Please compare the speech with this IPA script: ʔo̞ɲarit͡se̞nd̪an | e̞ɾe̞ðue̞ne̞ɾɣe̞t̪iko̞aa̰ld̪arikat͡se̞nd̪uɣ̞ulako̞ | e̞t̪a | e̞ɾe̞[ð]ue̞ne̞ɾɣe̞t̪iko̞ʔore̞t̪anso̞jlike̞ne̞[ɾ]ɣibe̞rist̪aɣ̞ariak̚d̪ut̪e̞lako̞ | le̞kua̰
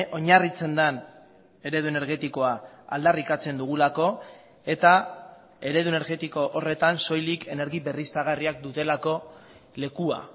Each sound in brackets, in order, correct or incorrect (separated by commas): correct, correct